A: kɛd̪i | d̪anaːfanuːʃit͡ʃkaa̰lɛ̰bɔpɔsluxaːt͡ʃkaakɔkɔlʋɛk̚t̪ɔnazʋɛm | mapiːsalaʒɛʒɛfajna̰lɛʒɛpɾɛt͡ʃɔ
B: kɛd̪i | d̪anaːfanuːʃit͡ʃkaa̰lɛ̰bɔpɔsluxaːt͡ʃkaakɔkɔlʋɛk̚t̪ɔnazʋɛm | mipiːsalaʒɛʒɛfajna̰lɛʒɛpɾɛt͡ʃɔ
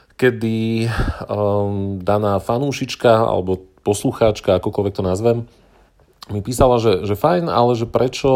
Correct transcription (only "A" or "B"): B